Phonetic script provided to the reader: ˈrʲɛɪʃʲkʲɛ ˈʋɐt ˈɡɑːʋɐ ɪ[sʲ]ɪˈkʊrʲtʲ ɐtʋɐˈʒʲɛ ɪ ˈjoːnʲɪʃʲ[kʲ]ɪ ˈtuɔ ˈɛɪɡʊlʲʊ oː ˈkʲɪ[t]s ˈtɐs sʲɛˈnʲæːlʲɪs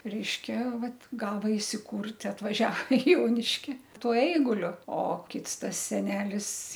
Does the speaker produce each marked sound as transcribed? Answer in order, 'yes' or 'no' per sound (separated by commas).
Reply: yes, yes, yes